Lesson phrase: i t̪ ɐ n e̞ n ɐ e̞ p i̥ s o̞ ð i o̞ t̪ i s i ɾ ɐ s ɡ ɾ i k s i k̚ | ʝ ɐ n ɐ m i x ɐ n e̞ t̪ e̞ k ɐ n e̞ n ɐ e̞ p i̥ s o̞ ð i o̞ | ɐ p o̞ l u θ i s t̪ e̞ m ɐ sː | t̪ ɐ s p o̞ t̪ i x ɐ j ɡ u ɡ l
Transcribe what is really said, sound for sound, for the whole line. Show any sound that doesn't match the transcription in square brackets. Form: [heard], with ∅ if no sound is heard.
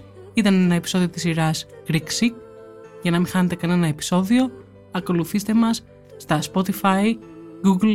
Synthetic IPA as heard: i t̪ ɐ n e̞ n ɐ e̞ p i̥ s o̞ ð i o̞ t̪ i s i ɾ ɐ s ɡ ɾ i k s i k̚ | ʝ ɐ n ɐ m i x ɐ n e̞ t̪ e̞ k ɐ n e̞ n ɐ e̞ p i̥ s o̞ ð i o̞ | ɐ [k] o̞ l u θ i s t̪ e̞ m ɐ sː | t̪ ɐ s p o̞ t̪ i [f] ɐ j ɡ u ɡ l